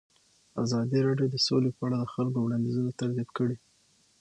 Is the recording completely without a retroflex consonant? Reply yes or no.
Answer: no